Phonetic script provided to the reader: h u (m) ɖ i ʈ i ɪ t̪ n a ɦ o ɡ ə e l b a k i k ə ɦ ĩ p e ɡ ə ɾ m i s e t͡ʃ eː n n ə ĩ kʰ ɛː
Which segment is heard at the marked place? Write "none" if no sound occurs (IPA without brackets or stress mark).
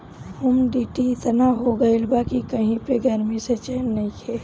m